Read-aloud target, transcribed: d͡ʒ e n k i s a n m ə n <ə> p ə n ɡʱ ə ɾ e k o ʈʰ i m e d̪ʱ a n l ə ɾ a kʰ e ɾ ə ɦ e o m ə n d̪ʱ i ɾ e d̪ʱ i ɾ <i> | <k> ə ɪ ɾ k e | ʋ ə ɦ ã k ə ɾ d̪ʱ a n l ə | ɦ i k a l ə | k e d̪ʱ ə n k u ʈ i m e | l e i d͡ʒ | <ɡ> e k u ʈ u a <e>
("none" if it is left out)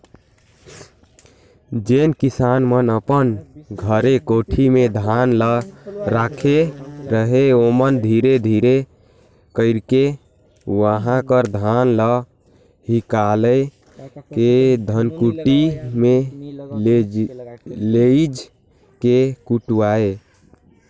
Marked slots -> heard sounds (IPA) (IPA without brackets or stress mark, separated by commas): ə, e, k, k, e